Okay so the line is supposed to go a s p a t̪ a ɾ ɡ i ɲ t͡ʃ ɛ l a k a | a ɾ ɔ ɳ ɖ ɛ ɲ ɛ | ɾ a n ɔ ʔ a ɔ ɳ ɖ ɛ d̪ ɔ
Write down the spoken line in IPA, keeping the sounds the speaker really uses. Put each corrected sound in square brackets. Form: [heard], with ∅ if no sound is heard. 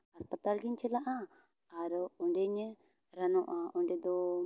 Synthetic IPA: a s p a t̪ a [l] ɡ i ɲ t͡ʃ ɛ l a [ʔ] a | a ɾ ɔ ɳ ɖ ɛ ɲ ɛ | ɾ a n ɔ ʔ a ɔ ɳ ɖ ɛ d̪ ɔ